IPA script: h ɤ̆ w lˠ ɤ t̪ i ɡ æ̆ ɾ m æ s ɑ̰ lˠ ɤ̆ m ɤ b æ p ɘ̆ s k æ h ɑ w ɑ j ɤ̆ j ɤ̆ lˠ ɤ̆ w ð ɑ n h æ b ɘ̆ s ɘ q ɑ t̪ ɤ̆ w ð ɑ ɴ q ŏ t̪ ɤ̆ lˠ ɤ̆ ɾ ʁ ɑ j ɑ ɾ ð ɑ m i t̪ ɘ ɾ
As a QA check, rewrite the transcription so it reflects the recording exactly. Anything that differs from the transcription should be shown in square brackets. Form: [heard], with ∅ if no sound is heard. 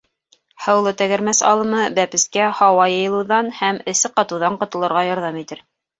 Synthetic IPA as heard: h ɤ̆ w lˠ ɤ t̪ [æ] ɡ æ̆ ɾ m æ s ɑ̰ lˠ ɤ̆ m ɤ b æ p ɘ̆ s k æ h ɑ w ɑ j ɤ̆ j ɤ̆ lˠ ɤ̆ w ð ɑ n h æ [m] ɘ̆ s ɘ q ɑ t̪ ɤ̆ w ð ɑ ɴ q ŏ t̪ ɤ̆ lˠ ɤ̆ ɾ ʁ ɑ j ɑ ɾ ð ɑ m i t̪ ɘ ɾ